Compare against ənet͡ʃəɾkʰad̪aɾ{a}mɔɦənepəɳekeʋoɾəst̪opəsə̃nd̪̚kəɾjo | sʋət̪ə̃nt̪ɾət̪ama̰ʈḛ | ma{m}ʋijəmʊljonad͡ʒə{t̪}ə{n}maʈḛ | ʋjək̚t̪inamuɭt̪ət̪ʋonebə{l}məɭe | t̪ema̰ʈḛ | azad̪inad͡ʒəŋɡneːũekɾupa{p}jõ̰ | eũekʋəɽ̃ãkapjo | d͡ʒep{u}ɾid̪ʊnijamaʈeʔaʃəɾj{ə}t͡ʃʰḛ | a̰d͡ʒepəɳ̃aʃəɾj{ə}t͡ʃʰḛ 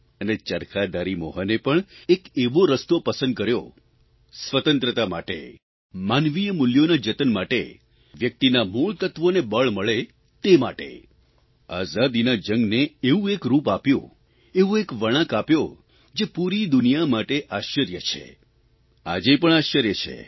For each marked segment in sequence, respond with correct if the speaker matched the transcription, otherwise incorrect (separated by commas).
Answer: incorrect, incorrect, correct, correct, incorrect, correct, correct, correct, correct